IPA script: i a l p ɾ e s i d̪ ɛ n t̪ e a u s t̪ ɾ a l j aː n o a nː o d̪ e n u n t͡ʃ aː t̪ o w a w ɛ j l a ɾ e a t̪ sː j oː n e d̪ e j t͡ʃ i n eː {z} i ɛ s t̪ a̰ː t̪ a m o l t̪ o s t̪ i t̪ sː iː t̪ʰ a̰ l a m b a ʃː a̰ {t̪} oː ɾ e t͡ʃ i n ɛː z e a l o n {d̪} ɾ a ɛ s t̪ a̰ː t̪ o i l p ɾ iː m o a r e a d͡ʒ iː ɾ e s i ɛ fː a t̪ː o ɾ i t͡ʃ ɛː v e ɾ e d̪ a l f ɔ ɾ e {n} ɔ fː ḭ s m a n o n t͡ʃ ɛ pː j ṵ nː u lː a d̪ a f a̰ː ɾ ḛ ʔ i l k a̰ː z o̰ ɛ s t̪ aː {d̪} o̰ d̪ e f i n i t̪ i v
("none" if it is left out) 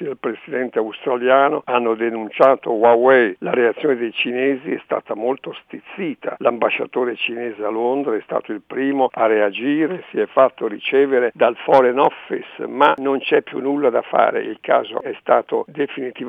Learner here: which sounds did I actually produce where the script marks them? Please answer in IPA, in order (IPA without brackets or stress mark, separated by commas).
z, t̪, d̪, n, t̪